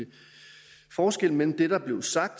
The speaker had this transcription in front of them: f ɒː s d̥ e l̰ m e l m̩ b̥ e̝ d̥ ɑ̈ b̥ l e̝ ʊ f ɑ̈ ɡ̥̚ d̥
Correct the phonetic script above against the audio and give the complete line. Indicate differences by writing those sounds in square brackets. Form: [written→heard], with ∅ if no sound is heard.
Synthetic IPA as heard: f ɒː s [d̥→ɡ̥] e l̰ m e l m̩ [b̥→d̥] e̝ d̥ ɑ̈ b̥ l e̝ ʊ [f→s] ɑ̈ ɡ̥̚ d̥